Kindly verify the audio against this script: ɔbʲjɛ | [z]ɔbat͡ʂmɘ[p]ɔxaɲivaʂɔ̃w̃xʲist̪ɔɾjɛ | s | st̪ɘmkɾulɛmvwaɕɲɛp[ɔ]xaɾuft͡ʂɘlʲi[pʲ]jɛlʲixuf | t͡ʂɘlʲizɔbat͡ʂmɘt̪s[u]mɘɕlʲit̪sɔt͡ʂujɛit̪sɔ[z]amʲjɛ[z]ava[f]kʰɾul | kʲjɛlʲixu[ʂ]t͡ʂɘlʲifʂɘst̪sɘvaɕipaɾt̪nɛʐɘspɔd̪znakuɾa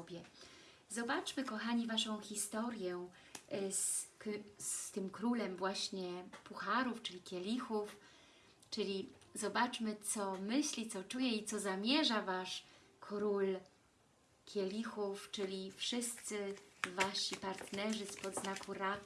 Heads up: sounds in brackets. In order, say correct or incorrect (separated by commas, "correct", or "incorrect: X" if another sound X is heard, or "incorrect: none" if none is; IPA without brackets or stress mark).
correct, incorrect: k, incorrect: u, incorrect: kʲ, incorrect: ɔ, correct, incorrect: ʐ, incorrect: ʂ, incorrect: f